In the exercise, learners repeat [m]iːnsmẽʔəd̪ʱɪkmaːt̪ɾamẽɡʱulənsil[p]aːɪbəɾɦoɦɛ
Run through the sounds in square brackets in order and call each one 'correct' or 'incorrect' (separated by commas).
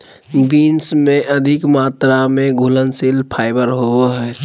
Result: incorrect, incorrect